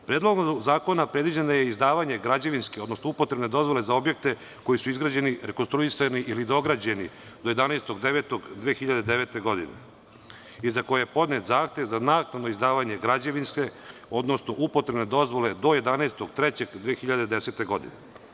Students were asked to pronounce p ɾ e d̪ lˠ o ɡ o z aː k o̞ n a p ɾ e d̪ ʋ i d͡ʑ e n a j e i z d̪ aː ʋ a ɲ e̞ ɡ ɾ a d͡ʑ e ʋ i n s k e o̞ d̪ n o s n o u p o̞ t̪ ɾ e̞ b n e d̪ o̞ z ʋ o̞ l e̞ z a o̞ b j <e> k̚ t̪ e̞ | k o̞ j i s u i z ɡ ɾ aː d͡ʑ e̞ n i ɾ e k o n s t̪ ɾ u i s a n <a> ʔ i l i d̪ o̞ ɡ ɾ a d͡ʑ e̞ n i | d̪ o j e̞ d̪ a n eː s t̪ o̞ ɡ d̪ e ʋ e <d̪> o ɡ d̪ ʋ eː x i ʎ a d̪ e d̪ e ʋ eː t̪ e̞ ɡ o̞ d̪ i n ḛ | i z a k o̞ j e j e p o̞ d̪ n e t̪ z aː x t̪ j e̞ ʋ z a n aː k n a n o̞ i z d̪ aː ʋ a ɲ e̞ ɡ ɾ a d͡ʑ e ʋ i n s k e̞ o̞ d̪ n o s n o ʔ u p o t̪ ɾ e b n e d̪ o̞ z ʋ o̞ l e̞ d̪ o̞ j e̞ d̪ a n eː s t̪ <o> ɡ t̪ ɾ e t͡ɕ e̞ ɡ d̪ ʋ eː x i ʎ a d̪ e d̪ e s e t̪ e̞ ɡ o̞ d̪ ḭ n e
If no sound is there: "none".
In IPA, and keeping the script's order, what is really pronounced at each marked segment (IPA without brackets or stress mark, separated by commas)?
e, i, t̪, o